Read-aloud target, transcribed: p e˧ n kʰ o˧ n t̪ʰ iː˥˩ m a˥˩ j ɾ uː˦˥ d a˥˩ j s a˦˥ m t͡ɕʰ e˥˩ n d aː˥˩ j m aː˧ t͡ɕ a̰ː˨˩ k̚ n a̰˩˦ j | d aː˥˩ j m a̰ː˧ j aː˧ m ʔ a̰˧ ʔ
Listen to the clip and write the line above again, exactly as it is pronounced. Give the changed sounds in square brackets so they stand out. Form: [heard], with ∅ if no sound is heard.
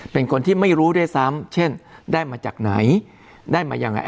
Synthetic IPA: p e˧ n kʰ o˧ n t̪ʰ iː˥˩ m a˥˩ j ɾ uː˦˥ d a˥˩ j s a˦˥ m t͡ɕʰ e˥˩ n d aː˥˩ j m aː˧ t͡ɕ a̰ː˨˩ k̚ n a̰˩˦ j | d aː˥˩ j m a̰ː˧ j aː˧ [ŋ] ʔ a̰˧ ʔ